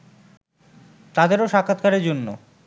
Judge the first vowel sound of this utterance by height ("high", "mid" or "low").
low